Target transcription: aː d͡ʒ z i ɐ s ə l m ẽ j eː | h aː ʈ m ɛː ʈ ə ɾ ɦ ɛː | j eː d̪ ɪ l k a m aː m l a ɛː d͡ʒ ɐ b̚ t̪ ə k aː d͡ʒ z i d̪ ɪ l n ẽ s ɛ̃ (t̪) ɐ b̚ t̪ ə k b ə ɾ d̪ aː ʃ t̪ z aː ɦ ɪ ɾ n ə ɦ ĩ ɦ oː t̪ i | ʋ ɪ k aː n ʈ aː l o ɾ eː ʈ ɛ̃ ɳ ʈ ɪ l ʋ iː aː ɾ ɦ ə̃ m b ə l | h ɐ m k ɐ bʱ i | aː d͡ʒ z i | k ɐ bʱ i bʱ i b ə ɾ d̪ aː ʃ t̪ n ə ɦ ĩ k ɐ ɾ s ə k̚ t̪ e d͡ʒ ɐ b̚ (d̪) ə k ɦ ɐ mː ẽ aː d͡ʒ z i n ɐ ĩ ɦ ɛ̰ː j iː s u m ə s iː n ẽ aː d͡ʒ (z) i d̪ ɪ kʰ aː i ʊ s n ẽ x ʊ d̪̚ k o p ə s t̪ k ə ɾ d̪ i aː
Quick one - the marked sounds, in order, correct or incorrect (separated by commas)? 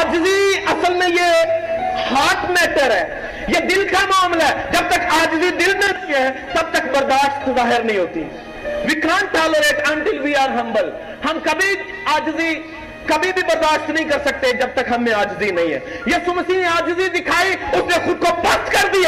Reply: correct, incorrect, correct